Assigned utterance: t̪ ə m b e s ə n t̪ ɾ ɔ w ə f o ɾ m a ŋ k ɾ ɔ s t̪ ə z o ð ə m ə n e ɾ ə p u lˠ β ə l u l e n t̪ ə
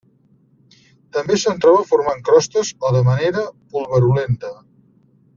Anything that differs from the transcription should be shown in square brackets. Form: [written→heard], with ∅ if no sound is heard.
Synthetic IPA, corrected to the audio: t̪ ə m b e s ə n t̪ ɾ ɔ [w→β] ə f [o→u] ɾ m a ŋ k ɾ ɔ s t̪ ə z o ð ə m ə n e ɾ ə p u lˠ β ə [l→ɾ] u l e n t̪ ə